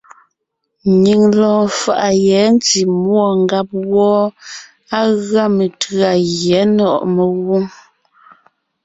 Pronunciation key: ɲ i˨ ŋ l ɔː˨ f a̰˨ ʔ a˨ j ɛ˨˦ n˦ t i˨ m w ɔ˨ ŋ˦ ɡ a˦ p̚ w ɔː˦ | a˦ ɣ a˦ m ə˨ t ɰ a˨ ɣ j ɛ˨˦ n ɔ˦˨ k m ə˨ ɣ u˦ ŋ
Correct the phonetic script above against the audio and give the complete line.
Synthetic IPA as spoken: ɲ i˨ ŋ l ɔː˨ f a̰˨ ʔ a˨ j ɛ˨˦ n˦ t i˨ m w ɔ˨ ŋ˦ ɡ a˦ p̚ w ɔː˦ | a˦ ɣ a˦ m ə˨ t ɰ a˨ ɣ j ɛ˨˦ n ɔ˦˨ ʔ m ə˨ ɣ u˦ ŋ